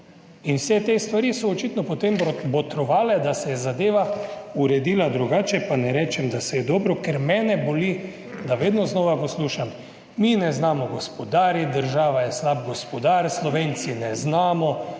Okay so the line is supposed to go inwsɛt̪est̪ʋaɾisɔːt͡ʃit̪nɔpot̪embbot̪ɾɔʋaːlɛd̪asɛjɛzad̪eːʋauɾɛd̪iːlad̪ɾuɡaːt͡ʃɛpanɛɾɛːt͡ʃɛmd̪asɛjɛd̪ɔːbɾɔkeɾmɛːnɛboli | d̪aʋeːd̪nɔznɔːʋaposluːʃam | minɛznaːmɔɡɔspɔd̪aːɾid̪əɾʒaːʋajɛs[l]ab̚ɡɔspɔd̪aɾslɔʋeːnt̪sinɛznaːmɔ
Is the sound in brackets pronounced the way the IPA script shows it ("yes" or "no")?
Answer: yes